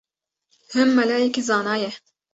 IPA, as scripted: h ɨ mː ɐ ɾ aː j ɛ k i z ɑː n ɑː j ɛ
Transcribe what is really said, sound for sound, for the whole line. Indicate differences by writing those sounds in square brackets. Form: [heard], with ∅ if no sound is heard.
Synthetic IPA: h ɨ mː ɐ [l] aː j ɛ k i z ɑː n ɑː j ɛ